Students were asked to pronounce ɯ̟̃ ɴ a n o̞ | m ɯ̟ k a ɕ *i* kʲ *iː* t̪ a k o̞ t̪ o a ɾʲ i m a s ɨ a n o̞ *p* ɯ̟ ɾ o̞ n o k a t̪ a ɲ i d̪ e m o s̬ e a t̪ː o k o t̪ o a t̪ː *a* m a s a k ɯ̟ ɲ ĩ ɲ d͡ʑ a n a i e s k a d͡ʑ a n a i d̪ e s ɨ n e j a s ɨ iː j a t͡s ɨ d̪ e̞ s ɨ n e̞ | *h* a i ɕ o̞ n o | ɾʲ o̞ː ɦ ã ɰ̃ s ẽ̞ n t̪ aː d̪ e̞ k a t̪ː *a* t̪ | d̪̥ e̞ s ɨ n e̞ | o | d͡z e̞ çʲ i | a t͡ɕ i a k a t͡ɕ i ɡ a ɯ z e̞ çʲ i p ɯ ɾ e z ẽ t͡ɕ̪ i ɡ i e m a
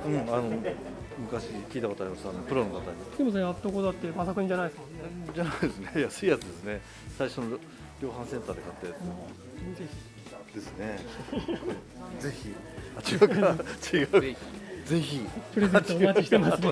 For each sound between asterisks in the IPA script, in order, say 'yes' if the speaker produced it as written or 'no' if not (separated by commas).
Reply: yes, yes, yes, no, no, no